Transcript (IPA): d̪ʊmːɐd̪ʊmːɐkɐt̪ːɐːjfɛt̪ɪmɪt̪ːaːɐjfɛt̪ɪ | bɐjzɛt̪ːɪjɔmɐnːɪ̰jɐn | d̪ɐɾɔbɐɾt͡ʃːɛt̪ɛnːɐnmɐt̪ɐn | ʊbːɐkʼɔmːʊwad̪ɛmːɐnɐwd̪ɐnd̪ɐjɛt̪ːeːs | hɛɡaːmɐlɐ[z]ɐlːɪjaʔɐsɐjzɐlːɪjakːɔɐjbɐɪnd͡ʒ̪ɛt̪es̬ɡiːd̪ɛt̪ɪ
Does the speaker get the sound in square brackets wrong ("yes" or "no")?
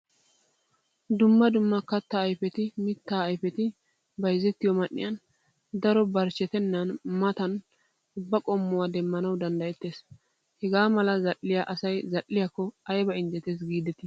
no